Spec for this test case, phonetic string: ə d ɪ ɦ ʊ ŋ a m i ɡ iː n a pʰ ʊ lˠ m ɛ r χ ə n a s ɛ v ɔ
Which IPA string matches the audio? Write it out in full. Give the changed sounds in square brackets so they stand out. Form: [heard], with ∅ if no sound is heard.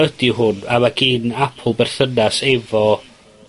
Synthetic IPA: ə d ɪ ɦ ʊ [n] a m [a] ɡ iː n a pʰ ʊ lˠ [b] ɛ r [θ] ə n a s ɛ v ɔ